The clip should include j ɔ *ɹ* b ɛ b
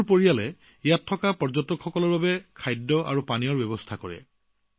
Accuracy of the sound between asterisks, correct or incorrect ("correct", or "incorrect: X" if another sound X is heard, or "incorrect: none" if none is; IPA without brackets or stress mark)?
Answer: correct